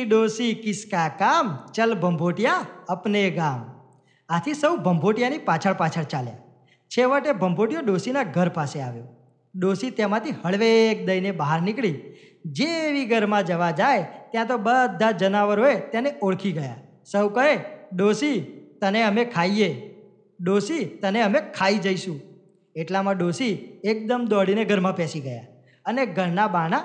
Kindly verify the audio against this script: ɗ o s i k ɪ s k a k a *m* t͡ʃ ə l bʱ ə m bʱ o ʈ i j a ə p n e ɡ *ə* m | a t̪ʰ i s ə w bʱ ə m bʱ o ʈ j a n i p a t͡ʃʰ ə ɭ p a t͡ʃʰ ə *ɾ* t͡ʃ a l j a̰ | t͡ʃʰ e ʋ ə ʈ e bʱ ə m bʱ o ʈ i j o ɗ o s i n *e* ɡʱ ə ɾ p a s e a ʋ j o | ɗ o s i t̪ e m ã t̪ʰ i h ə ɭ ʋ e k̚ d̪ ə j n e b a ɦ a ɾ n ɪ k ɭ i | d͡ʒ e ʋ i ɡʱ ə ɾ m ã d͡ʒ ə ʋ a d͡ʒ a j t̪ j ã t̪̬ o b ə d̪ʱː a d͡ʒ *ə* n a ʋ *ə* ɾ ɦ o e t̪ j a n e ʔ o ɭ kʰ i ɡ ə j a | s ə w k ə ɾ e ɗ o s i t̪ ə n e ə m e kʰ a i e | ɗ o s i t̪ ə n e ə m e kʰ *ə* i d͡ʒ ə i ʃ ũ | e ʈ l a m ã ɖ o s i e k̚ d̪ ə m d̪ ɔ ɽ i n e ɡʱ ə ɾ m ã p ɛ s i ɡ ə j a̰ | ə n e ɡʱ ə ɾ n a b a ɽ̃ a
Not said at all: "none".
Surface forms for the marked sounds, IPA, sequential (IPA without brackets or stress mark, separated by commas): m, a, ɭ, a, ə, ə, a